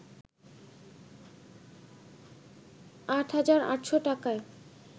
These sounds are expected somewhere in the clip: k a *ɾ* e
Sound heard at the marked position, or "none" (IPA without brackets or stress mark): none